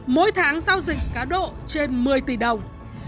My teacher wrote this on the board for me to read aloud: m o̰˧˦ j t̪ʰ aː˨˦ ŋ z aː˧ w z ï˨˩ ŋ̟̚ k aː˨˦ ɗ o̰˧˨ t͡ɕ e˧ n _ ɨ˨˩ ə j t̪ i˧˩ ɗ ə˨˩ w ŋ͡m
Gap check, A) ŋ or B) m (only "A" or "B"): B